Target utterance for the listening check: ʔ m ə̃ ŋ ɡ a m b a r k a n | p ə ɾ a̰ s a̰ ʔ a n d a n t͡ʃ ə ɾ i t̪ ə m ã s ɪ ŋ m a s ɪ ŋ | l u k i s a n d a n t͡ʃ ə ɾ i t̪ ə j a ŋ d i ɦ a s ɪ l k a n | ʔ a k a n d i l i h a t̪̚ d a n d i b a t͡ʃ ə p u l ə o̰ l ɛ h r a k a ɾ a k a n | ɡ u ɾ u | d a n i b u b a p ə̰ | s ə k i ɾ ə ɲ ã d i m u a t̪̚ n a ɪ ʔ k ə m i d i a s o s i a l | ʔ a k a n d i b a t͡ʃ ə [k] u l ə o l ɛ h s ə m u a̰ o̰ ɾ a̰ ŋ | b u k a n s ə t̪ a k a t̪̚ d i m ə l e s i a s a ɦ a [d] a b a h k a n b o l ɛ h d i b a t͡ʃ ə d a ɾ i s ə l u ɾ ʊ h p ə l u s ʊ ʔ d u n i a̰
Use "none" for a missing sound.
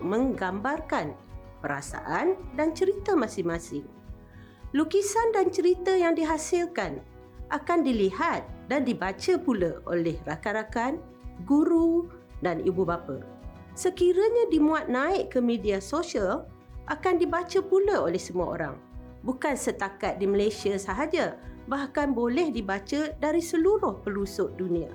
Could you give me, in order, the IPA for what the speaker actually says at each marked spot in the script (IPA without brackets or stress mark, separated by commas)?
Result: p, d͡ʒ